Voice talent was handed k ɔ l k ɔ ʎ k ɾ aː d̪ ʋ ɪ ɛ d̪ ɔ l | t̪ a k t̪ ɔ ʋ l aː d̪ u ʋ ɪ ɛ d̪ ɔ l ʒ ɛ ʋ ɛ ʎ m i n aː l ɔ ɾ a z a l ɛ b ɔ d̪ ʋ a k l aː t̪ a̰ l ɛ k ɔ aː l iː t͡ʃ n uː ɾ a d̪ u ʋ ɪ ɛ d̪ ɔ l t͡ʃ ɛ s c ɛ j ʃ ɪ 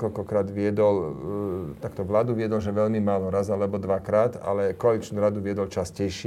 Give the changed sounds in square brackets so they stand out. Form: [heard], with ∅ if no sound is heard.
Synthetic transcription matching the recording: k ɔ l k ɔ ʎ k ɾ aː d̪ ʋ ɪ ɛ d̪ ɔ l | t̪ a k t̪ ɔ ʋ l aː d̪ u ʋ ɪ ɛ d̪ ɔ l ʒ ɛ ʋ ɛ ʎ m i [m] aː l ɔ ɾ a z a l ɛ b ɔ d̪ ʋ a k [ɾ] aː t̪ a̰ l ɛ k ɔ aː l [i] t͡ʃ n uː ɾ a d̪ u ʋ ɪ ɛ d̪ ɔ l t͡ʃ [a] s c ɛ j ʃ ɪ